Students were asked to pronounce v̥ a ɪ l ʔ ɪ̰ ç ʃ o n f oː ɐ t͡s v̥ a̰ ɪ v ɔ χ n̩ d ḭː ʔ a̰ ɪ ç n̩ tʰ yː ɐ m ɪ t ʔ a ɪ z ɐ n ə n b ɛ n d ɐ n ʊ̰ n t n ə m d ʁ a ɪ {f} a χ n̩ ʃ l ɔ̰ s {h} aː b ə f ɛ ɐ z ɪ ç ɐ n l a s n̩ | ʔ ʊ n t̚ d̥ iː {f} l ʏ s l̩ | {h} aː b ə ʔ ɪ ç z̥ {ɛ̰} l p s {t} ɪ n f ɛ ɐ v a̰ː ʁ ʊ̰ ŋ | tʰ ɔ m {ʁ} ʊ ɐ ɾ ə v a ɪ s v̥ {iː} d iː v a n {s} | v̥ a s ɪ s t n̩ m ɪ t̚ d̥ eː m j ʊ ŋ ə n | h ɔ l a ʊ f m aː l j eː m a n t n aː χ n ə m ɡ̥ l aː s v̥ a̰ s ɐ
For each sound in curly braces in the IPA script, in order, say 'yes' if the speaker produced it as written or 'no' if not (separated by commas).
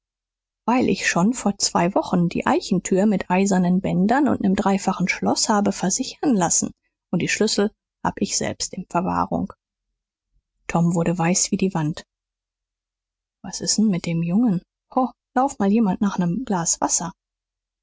yes, yes, no, yes, yes, yes, no, yes, no